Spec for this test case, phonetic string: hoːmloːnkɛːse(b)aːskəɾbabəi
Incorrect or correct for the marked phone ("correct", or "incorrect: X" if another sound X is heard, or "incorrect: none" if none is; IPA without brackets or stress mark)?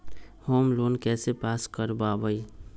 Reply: incorrect: p